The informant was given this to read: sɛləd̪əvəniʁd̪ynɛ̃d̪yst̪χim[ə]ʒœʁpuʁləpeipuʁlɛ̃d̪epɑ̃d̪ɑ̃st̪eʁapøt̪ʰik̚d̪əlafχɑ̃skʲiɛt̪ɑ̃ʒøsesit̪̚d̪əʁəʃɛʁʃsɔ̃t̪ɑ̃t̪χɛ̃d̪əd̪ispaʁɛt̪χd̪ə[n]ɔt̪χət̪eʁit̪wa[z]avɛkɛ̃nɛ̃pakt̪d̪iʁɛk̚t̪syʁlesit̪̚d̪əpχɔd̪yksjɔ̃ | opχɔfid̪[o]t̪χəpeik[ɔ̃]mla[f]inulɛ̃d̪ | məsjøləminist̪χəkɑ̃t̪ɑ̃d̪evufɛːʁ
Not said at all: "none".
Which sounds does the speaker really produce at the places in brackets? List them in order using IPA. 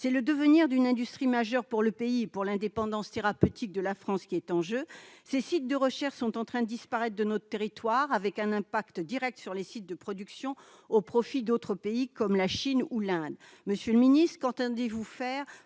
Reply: a, n, ʁ, o, ɔ, ʃ

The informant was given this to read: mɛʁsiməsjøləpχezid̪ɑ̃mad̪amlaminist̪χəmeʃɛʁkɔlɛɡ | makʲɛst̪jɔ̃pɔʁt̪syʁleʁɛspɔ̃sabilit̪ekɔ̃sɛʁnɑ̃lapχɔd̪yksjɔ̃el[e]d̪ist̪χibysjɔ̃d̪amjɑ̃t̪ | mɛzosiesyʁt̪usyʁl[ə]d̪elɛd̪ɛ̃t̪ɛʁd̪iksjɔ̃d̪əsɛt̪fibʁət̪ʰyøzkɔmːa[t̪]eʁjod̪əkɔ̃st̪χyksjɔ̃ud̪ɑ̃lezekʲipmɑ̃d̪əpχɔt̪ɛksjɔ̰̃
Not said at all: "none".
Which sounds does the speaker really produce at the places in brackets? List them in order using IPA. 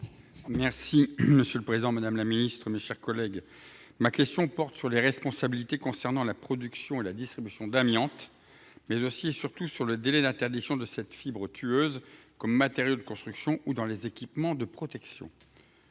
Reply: a, ə, t̪

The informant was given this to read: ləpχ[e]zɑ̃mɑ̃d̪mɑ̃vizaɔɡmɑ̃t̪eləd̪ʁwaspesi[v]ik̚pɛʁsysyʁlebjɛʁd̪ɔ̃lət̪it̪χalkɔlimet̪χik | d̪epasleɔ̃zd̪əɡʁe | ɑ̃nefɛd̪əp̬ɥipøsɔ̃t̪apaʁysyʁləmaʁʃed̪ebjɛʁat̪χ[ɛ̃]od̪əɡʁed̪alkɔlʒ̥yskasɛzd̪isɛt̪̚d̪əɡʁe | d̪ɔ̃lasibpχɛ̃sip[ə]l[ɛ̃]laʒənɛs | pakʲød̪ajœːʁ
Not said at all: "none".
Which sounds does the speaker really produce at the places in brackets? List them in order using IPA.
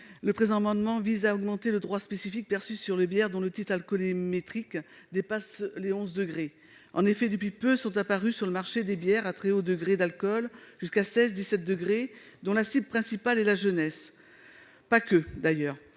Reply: e, f, ɛ, a, ɛ

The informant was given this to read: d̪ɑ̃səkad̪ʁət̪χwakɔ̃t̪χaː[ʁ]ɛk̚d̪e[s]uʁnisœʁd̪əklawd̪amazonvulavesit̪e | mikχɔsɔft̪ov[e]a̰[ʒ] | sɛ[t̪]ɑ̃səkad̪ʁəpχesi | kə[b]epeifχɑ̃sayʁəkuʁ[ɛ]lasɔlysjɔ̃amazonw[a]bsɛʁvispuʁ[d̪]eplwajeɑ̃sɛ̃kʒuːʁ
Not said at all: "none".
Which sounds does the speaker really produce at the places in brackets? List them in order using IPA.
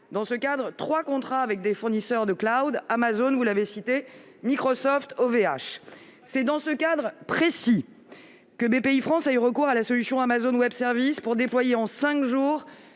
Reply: v, f, e, ʃ, d̪, b, a, ɛ, d̪

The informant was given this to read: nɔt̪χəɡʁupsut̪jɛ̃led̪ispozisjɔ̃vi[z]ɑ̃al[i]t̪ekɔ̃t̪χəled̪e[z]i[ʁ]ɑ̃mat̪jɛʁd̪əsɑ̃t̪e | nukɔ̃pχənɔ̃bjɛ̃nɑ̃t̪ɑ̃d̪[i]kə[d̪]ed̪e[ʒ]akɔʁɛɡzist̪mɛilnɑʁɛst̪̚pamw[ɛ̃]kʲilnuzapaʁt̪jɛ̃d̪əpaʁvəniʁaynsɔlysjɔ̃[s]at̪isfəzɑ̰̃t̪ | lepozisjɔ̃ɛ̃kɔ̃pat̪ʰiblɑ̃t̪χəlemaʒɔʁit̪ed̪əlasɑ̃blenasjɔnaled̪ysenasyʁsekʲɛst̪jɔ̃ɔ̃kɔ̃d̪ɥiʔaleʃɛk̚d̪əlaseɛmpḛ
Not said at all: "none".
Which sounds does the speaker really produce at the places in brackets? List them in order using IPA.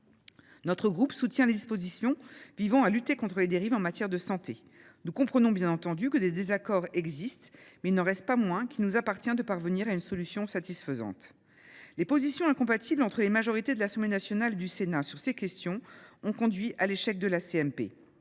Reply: v, y, ʁ, v, y, d̪, z, ɛ̃, s

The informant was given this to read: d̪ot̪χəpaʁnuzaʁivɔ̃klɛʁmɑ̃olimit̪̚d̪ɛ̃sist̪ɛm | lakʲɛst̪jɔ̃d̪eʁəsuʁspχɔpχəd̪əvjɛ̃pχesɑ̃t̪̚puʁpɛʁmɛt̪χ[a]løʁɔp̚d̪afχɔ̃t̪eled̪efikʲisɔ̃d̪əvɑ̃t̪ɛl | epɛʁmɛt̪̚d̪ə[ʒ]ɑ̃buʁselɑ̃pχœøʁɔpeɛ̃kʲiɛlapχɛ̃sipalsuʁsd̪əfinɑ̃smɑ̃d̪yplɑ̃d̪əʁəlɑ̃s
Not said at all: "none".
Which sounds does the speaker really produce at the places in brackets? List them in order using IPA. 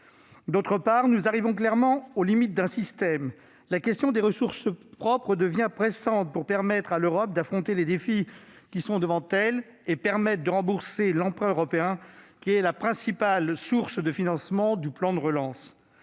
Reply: a, ʁ

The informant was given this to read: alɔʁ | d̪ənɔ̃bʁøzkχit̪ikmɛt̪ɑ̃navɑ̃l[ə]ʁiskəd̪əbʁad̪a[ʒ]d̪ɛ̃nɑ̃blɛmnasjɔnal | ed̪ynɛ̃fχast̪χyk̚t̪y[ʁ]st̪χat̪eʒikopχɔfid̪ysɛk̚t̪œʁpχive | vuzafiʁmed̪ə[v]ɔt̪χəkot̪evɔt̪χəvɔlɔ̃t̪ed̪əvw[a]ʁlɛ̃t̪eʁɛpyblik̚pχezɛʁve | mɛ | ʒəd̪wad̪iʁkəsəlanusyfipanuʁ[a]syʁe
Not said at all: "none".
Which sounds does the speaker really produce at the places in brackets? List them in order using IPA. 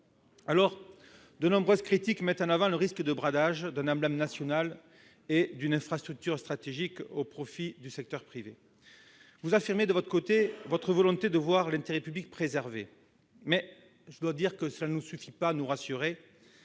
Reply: ə, ʒ, ʁ, v, a, a

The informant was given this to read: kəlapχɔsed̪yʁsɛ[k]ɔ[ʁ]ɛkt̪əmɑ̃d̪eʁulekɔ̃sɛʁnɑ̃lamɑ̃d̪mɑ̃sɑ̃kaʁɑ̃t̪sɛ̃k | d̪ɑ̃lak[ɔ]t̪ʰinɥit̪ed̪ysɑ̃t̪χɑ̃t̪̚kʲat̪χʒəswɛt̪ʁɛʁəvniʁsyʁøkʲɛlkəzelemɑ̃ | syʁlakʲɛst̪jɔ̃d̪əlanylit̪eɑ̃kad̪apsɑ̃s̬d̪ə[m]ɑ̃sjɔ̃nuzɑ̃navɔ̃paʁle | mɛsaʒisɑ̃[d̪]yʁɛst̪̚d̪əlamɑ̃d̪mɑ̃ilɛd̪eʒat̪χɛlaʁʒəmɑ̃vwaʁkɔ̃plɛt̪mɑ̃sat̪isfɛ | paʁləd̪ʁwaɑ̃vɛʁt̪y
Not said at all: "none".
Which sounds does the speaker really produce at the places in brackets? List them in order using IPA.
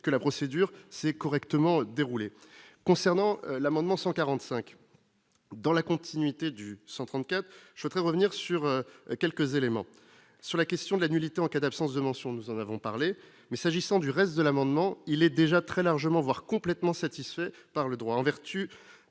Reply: k, ʁ, ɔ̃, m, d̪

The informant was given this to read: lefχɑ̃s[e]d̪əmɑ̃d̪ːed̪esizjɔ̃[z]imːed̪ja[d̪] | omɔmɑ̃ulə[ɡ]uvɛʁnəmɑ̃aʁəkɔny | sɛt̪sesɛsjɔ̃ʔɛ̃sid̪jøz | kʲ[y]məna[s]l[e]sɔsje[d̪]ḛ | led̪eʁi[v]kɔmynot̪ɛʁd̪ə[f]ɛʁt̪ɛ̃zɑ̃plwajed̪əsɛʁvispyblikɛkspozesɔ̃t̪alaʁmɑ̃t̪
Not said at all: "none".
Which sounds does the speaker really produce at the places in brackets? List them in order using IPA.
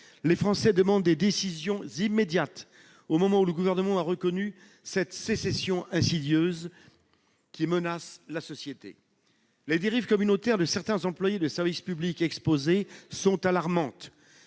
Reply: ɛ, z, t̪, ɡ, i, s, a, t̪, v, s

